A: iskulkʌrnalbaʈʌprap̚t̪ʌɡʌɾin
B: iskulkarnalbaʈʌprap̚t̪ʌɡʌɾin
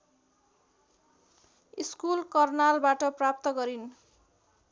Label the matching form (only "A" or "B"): A